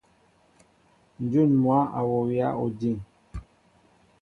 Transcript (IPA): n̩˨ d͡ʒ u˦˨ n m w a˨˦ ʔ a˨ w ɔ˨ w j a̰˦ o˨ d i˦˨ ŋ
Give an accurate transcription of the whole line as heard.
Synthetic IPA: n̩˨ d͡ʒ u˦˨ n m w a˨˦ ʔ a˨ w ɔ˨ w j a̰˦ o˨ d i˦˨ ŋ